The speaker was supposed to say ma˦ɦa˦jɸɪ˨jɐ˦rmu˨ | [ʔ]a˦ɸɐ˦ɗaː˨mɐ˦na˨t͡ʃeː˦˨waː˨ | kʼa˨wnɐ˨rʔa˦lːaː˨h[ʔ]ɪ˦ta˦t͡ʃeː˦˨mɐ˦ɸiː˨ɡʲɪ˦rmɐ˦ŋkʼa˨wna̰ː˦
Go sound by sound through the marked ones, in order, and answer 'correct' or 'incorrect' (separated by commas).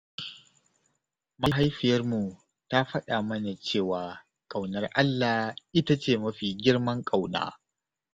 incorrect, correct